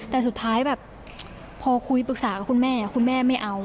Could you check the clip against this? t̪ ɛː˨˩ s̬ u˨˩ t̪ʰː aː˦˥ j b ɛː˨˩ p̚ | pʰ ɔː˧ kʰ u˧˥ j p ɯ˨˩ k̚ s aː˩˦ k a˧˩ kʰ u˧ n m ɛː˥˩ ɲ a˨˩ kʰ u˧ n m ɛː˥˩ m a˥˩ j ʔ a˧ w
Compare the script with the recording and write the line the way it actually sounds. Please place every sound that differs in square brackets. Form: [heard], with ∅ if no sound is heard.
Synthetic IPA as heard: t̪ ɛː˨˩ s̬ u˨˩ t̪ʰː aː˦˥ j b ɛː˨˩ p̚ | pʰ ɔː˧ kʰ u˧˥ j p ɯ˨˩ k̚ s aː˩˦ k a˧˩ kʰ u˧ n m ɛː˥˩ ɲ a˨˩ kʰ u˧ n m ɛː˥˩ m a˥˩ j ʔ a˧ w